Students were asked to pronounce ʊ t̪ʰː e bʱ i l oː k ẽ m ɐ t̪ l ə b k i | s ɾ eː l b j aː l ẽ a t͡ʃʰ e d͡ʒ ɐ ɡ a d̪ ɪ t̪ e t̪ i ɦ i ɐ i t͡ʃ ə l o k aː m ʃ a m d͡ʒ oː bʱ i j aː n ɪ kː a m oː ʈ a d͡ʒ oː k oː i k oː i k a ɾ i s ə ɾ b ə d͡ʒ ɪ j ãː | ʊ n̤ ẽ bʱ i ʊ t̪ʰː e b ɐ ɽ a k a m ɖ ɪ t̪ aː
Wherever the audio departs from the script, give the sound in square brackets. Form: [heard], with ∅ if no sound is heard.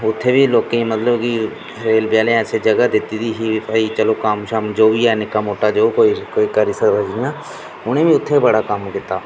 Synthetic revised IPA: ʊ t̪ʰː e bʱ i l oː k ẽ m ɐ t̪ l ə b k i | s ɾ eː l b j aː l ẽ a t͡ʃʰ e d͡ʒ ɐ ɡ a d̪ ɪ t̪ [i] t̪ i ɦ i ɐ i t͡ʃ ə l o k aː m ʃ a m d͡ʒ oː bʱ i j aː n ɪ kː a m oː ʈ a d͡ʒ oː k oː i k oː i k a ɾ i s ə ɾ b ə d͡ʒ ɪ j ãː | ʊ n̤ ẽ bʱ i ʊ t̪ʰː e b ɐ ɽ a k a m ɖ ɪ t̪ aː